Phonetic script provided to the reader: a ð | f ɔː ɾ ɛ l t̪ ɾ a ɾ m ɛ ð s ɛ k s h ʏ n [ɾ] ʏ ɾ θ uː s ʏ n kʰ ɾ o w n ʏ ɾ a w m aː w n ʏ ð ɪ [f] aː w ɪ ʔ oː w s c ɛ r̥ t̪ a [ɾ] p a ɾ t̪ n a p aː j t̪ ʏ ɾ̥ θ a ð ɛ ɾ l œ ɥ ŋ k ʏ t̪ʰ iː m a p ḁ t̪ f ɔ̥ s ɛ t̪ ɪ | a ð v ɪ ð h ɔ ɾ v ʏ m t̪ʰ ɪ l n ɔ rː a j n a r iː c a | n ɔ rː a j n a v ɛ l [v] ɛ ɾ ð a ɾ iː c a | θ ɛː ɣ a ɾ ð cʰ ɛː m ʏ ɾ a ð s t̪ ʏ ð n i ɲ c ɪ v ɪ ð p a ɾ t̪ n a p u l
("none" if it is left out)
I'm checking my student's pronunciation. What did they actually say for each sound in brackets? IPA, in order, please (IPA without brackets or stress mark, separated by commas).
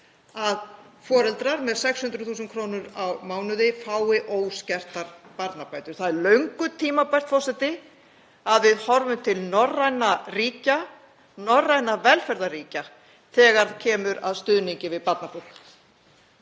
ɾ, f, ɾ, f